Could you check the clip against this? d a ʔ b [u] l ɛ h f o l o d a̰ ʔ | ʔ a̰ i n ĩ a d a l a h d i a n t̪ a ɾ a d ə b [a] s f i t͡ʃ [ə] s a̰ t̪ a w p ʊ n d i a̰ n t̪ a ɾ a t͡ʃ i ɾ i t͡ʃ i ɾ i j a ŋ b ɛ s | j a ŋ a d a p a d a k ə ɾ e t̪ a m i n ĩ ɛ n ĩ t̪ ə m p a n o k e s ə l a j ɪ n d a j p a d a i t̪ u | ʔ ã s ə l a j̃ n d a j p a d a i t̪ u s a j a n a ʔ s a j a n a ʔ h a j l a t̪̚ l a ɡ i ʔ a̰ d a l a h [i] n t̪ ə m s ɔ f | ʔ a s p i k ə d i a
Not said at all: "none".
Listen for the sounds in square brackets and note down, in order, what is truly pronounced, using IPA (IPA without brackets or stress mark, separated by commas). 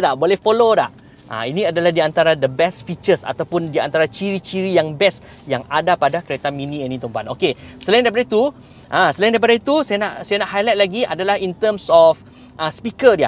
o, ɛ, ə, i